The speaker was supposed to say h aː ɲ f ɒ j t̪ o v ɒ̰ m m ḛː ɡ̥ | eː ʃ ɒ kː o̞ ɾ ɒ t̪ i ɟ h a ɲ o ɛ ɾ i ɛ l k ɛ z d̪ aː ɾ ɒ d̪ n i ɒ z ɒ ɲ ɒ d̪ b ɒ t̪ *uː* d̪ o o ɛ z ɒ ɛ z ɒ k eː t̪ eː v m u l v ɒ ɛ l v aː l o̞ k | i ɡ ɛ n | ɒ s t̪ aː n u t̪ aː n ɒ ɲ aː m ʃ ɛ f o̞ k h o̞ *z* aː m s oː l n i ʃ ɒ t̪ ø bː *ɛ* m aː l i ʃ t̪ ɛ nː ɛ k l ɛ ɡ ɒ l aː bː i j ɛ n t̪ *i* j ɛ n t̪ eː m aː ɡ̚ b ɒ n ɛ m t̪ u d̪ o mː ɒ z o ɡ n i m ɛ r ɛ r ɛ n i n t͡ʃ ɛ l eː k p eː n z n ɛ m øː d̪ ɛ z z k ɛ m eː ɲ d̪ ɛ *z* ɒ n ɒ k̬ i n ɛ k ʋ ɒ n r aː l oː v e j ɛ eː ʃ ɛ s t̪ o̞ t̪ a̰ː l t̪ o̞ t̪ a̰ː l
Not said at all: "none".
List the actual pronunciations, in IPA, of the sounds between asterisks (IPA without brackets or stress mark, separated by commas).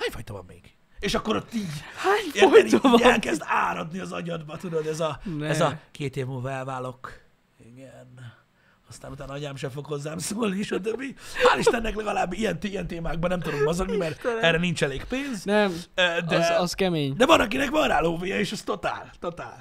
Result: u, zː, i, i, v